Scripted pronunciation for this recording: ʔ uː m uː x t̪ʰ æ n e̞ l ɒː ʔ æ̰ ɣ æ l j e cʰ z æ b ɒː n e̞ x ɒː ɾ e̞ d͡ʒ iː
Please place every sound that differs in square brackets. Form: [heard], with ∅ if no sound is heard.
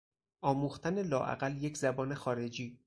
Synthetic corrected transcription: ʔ [ɒː] m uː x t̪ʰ æ n e̞ l ɒː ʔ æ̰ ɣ æ l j e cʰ z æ b ɒː n e̞ x ɒː ɾ e̞ d͡ʒ iː

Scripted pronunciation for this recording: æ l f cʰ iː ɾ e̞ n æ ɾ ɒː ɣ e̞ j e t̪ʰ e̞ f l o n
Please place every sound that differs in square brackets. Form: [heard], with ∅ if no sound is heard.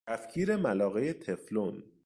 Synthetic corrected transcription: æ [∅] f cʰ iː ɾ e̞ [m] æ [l] ɒː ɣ e̞ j e t̪ʰ e̞ f l o n

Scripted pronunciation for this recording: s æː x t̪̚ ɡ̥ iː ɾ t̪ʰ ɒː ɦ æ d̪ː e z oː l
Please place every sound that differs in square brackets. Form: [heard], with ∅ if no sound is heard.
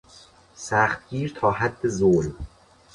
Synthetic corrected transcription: s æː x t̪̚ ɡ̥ iː ɾ t̪ʰ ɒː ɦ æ d̪ː e z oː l

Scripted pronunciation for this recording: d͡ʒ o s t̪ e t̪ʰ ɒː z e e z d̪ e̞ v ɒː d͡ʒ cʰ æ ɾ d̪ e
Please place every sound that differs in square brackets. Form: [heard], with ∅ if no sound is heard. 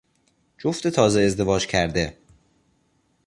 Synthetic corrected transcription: d͡ʒ o [f] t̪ e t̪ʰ ɒː z e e z d̪ e̞ v ɒː d͡ʒ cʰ æ ɾ d̪ e

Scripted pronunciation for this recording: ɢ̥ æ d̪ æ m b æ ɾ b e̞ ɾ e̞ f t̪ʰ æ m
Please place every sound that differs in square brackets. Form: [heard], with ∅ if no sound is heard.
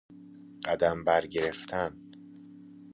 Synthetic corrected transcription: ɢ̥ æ d̪ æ m b æ ɾ [ɟ] e̞ ɾ e̞ f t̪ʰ æ [n]

